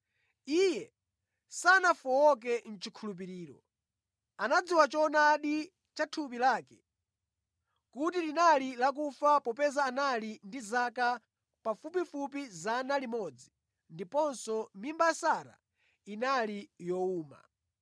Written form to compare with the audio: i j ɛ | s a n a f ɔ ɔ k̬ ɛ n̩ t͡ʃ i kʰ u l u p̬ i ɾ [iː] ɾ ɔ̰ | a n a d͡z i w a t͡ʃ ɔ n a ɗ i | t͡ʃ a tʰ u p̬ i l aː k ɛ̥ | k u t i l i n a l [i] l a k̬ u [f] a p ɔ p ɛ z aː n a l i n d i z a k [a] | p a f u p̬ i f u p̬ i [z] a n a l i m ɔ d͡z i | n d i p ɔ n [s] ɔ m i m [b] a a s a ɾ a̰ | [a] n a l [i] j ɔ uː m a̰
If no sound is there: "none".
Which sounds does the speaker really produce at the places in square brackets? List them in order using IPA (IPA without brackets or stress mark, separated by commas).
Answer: iː, i, f, a, z, s, b, i, i